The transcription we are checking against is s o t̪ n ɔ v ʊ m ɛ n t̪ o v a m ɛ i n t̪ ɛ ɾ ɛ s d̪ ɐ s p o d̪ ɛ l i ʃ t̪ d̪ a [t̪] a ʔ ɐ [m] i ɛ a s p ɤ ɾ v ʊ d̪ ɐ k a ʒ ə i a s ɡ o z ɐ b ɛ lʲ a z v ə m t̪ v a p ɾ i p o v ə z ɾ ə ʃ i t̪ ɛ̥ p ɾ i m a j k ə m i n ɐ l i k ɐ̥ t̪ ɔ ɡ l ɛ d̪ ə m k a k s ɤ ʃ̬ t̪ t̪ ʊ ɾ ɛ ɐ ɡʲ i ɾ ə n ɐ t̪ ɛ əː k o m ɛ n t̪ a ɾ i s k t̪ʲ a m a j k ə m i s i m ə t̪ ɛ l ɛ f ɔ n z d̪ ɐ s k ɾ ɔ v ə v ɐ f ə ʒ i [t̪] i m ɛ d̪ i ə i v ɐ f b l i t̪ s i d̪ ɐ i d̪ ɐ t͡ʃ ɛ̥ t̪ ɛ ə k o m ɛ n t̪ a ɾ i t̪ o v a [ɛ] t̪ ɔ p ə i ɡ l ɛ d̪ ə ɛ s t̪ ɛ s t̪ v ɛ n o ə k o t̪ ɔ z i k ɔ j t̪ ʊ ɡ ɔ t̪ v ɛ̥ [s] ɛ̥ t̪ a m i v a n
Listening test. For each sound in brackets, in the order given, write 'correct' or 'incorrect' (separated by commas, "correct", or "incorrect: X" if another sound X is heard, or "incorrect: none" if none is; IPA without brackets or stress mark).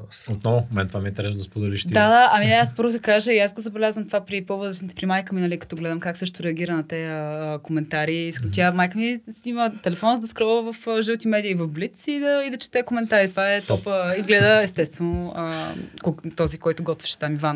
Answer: incorrect: d̪, correct, correct, correct, incorrect: ʃ